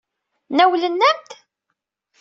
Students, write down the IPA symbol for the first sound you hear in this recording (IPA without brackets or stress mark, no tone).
n